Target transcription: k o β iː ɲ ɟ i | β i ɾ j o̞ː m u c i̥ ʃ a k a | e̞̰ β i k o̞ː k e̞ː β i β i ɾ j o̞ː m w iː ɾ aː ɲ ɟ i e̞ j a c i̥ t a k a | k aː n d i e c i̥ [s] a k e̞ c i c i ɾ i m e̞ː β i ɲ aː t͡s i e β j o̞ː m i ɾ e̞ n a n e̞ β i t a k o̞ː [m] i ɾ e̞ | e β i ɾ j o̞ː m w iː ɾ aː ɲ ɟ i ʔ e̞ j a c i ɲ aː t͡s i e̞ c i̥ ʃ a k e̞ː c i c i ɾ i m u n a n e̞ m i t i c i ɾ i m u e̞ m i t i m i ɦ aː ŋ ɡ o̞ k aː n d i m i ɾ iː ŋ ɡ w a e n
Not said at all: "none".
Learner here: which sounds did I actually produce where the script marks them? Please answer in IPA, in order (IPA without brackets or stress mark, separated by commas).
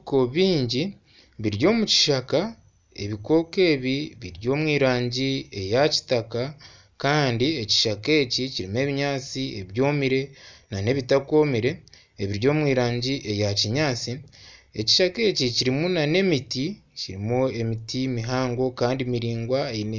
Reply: ʃ, m